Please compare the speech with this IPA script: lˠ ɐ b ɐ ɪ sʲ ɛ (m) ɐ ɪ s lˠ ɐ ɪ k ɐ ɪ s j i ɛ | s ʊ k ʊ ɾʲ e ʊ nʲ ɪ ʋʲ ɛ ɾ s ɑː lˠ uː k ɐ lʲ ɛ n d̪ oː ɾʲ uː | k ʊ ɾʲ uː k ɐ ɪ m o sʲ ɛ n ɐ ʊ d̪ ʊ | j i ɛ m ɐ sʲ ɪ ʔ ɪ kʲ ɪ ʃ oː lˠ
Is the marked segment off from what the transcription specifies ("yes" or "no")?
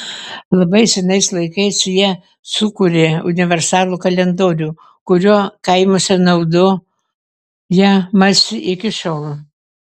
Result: yes